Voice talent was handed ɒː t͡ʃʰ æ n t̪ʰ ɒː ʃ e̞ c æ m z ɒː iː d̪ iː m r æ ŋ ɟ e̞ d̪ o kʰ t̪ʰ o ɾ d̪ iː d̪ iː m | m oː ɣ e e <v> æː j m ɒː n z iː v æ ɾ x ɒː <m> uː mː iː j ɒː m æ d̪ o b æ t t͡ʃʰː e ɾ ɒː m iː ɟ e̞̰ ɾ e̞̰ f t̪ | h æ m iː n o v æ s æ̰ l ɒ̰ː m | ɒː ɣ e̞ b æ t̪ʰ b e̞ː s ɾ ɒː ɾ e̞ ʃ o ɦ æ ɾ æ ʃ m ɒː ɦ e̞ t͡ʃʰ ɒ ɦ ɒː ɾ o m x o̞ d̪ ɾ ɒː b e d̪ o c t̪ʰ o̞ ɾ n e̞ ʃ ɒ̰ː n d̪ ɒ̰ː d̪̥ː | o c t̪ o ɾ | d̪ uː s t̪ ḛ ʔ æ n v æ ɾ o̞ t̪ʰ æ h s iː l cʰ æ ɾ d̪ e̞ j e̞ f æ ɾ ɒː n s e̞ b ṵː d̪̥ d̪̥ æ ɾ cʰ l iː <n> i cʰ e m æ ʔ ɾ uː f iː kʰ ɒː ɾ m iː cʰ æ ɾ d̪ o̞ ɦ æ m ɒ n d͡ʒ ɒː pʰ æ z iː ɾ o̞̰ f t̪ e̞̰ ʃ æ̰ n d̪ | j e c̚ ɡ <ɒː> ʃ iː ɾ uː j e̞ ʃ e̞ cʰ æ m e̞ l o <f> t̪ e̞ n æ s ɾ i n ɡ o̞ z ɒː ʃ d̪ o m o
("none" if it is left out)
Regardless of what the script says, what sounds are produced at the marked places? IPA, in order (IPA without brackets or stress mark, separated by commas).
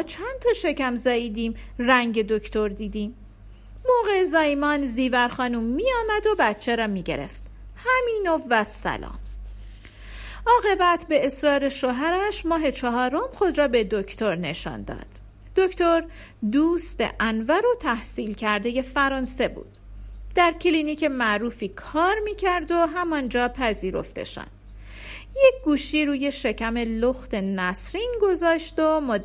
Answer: z, n, n, uː, x